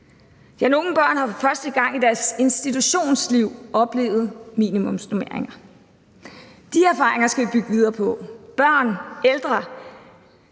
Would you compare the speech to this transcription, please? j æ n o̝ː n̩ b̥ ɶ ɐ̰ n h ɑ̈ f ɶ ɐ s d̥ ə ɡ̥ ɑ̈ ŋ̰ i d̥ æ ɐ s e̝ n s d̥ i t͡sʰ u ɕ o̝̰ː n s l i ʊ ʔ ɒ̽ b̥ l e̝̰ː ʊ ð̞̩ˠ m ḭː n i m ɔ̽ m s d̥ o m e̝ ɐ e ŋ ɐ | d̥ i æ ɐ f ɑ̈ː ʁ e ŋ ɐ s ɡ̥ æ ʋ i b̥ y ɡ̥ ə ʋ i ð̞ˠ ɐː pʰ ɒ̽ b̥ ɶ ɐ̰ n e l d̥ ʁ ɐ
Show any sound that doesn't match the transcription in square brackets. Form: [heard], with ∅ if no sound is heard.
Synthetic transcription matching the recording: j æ n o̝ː n̩ b̥ ɶ ɐ̰ n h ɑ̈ f ɶ ɐ s d̥ ə ɡ̥ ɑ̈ ŋ̰ i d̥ æ ɐ s e̝ n s d̥ i t͡sʰ u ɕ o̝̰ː n s l i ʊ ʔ ɒ̽ b̥ l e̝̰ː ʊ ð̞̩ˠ m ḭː n i m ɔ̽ m s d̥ o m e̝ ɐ e ŋ ɐ | d̥ i æ ɐ f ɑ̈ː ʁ e ŋ ɐ s ɡ̥ æ ʋ i b̥ y ɡ̥ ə ʋ i ð̞ˠ ɐː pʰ ɒ̽ b̥ ɶ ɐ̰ n e l d̥ ʁ ɐ

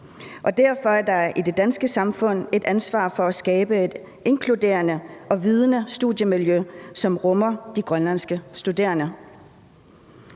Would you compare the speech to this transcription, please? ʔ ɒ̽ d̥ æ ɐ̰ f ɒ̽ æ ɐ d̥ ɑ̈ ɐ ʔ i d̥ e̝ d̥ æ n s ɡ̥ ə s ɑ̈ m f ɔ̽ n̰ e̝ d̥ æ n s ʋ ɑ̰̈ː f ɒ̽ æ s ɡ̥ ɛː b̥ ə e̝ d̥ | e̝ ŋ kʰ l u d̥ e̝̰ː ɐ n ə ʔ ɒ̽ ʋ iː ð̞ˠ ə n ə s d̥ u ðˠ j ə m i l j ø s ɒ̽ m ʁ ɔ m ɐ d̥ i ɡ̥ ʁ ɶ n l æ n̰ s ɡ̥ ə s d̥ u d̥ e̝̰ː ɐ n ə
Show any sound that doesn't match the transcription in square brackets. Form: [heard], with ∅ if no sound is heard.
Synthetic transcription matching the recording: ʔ ɒ̽ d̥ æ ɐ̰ f ɒ̽ æ ɐ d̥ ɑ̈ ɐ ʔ i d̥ e̝ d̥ æ n s ɡ̥ ə s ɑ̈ m f ɔ̽ n̰ e̝ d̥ æ n s ʋ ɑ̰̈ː f ɒ̽ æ s ɡ̥ ɛː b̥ ə e̝ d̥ | e̝ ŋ kʰ l u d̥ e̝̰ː ɐ n ə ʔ ɒ̽ ʋ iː ð̞ˠ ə n ə s d̥ u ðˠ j ə m i l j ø s ɒ̽ m ʁ ɔ m ɐ d̥ i ɡ̥ ʁ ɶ n l æ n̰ s ɡ̥ ə s d̥ u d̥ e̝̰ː ɐ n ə

